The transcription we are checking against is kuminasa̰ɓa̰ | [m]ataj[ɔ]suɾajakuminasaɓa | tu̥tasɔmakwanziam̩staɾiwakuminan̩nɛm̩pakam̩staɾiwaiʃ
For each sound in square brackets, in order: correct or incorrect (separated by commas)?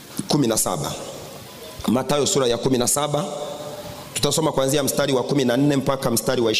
correct, correct